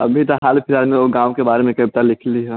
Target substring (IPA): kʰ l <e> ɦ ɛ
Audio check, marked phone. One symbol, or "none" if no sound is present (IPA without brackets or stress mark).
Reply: i